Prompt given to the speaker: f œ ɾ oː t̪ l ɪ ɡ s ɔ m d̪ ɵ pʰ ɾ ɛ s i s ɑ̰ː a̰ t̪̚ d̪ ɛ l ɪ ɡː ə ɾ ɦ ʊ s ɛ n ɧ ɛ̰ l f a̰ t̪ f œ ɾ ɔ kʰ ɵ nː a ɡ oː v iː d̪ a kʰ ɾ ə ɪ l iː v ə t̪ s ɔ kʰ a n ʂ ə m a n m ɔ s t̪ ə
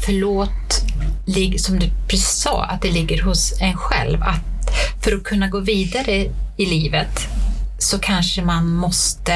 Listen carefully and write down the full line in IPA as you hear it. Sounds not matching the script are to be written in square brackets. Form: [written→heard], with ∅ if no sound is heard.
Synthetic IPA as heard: f œ [ɾ→ɭ] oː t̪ l ɪ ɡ s ɔ m d̪ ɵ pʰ ɾ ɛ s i s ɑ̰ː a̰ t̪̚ d̪ ɛ l ɪ ɡː ə ɾ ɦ ʊ s ɛ n ɧ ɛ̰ l [f→v] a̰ t̪ f œ ɾ ɔ kʰ ɵ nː a ɡ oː v iː d̪ a [kʰ→∅] ɾ ə ɪ l iː v ə t̪ s ɔ kʰ a n ʂ ə m a n m ɔ s t̪ ə